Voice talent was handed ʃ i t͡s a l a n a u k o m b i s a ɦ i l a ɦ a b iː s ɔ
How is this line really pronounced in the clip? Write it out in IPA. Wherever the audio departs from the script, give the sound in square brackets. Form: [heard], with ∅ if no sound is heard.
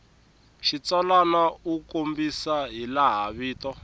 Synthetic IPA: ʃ i t͡s a l a n a u k o m b i s a ɦ i l a ɦ a [β] iː [t] ɔ